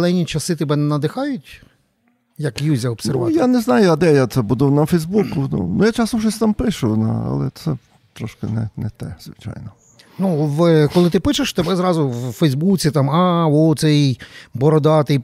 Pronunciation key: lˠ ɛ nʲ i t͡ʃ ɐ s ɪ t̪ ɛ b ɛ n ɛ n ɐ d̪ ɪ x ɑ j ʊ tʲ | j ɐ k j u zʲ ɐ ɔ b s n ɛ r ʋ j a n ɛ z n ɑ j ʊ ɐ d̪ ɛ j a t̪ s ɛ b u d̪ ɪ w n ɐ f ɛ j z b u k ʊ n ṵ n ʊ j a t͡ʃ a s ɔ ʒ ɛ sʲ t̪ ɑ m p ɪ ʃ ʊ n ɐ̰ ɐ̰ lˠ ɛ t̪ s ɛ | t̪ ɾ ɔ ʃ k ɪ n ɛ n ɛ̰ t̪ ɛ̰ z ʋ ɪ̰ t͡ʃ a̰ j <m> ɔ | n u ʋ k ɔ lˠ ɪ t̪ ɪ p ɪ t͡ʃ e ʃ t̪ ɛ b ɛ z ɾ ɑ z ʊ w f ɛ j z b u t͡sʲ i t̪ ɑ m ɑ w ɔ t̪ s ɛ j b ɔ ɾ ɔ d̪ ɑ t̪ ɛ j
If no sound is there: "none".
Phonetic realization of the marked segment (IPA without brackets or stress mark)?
n